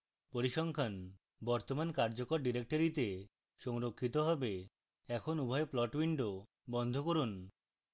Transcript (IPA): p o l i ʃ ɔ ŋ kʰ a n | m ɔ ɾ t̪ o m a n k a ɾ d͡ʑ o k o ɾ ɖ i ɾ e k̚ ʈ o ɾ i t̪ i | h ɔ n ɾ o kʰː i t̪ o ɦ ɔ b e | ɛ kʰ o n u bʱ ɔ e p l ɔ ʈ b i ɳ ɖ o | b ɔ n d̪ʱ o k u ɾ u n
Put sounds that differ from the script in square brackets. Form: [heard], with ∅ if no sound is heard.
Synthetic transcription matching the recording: p o [ɾ] i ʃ ɔ ŋ kʰ a n | [b] ɔ ɾ t̪ o m a n k a ɾ d͡ʑ o k o ɾ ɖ i ɾ e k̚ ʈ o ɾ i t̪ [e] | [ʃ] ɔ [ŋ] ɾ o kʰː i t̪ o ɦ ɔ b e | ɛ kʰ o n u bʱ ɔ e p l ɔ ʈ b i ɳ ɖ o | b ɔ n d̪ʱ o k [o] ɾ u n